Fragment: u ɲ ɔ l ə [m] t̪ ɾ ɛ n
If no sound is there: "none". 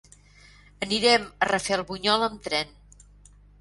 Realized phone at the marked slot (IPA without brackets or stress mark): m